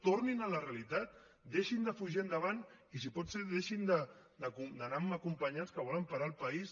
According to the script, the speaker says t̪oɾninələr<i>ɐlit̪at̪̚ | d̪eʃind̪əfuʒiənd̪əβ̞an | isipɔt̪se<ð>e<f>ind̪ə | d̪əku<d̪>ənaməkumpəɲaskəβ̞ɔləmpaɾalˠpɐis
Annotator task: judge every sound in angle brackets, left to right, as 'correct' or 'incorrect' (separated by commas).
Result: incorrect, correct, incorrect, correct